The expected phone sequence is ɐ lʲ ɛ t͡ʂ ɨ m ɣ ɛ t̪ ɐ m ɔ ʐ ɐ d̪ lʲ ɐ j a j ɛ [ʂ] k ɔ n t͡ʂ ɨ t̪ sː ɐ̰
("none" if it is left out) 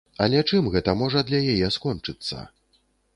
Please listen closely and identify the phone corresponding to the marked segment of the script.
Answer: s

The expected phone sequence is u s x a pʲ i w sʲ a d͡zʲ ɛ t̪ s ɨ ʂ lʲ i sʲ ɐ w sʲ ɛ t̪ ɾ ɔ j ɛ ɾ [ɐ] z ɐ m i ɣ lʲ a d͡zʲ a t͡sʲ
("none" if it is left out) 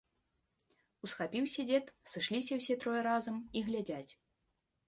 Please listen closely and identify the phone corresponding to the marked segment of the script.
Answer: a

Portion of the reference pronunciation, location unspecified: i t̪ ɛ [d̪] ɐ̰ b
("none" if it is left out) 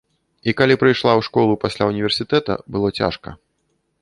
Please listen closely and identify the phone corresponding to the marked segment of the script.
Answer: t̪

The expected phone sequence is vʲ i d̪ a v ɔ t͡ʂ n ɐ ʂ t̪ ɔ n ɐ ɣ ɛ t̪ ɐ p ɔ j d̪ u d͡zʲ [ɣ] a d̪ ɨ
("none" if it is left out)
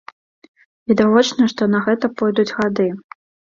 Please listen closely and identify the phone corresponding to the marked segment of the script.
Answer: ɣ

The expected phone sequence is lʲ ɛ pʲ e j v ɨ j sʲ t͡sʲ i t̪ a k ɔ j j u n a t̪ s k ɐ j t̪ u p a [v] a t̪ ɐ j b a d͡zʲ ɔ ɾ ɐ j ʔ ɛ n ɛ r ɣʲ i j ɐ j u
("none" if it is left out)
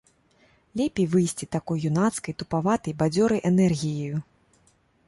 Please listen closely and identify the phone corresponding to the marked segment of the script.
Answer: v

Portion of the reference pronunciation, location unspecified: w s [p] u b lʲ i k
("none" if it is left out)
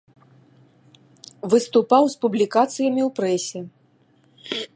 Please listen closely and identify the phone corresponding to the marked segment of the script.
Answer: p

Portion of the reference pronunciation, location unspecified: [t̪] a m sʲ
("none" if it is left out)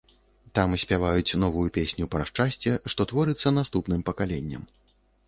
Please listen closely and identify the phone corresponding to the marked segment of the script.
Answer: t̪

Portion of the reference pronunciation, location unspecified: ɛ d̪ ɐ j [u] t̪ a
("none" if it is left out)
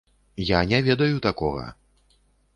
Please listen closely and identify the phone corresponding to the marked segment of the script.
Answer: u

